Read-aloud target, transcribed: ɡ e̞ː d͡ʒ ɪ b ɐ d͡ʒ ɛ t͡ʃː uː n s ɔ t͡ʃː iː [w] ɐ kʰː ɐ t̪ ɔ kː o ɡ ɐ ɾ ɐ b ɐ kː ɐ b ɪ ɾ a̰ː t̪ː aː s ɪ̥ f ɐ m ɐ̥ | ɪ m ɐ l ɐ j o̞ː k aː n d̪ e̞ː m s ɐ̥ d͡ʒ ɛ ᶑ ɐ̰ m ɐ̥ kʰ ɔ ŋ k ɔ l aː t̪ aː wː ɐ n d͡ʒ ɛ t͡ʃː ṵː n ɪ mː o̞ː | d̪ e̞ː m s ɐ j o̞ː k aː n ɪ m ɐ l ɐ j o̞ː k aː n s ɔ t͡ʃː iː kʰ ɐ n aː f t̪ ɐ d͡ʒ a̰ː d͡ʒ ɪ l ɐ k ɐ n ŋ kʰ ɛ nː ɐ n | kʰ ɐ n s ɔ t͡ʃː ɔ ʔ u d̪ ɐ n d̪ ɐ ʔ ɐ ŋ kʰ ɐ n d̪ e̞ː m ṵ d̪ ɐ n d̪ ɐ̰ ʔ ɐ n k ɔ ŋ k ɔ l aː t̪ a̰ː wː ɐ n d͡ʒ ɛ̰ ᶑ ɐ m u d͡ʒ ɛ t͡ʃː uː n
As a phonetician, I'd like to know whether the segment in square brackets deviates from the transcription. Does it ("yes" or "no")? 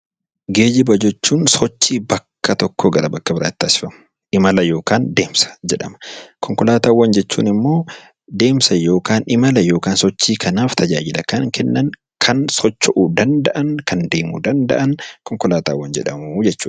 yes